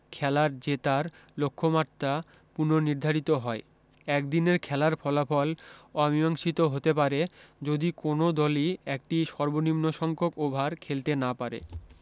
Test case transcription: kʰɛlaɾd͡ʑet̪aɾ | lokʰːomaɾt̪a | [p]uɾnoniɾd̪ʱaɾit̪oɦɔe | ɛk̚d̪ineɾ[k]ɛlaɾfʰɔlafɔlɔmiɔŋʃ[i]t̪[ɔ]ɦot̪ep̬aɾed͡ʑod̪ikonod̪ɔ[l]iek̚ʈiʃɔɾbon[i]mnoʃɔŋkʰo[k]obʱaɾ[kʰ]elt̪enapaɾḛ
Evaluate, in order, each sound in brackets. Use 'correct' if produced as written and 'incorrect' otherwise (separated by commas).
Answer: correct, incorrect, correct, incorrect, correct, correct, correct, correct